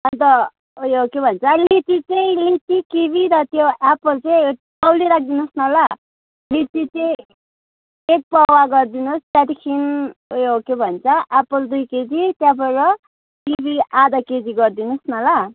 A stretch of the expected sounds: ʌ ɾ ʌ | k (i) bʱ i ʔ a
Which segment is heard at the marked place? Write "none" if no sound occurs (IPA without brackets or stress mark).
i